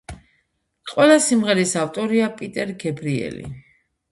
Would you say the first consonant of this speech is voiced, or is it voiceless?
voiceless